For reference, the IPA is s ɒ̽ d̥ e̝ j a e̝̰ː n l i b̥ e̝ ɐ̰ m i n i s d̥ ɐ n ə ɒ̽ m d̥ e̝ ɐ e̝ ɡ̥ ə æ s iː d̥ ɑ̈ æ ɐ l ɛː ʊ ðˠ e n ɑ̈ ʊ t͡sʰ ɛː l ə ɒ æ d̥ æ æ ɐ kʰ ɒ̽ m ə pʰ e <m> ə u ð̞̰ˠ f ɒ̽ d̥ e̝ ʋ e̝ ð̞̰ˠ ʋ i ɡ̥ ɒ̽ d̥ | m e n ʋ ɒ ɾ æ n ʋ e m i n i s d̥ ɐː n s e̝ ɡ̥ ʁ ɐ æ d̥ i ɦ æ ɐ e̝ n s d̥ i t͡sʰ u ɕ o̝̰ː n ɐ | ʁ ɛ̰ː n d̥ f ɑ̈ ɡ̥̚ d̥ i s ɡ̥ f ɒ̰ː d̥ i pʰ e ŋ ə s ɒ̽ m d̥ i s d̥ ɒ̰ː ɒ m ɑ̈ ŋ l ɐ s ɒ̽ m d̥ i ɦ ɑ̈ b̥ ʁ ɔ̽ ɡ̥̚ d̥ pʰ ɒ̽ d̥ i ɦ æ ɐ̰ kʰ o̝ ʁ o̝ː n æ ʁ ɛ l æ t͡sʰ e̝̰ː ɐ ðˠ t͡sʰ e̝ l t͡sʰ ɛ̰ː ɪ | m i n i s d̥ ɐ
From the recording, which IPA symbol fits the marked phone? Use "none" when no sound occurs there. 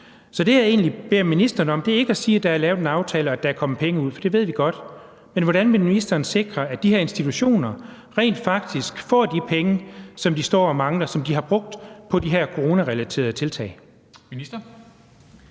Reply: ŋ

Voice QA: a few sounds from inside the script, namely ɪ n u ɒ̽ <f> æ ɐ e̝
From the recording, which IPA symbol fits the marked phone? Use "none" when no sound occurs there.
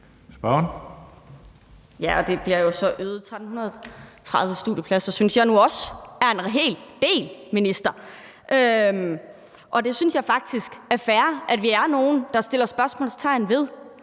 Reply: s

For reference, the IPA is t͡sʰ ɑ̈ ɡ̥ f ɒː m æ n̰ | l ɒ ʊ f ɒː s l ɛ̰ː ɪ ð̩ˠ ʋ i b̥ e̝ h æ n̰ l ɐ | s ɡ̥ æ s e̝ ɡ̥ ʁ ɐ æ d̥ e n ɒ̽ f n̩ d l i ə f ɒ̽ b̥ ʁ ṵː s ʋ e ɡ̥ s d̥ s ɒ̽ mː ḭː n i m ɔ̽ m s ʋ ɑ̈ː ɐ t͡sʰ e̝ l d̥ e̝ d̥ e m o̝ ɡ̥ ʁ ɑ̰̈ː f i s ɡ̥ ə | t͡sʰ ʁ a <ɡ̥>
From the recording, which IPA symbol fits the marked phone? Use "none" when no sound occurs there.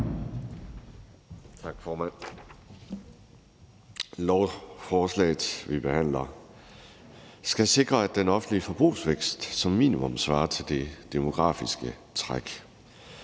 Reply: ɡ̥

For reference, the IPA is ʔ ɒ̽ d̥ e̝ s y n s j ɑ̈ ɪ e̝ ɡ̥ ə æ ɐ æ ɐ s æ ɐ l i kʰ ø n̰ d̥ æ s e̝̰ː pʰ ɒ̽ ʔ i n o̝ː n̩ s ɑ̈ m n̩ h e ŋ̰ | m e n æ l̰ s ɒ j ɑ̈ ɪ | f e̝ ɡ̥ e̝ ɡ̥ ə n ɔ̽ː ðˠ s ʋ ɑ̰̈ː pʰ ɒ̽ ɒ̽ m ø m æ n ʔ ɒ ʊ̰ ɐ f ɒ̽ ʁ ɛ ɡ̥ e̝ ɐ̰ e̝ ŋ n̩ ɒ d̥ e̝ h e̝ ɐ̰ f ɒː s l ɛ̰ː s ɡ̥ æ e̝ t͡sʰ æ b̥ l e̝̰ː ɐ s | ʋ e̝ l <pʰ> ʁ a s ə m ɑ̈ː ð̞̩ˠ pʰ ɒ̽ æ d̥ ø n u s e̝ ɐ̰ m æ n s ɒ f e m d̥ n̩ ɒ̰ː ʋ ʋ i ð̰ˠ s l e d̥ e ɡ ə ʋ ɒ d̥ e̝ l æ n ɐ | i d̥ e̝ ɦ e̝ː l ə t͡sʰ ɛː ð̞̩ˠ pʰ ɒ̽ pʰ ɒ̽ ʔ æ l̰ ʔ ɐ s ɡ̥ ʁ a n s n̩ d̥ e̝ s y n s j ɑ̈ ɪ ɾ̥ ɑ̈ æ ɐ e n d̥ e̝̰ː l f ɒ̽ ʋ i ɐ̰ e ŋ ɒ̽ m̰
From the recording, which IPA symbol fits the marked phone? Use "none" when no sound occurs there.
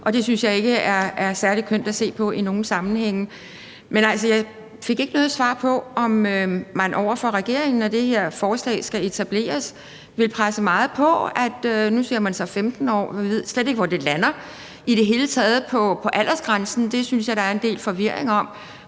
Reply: pʰ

